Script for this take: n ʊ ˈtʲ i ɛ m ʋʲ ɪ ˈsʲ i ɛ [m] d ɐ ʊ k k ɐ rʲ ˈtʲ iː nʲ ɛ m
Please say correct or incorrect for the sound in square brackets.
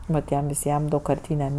correct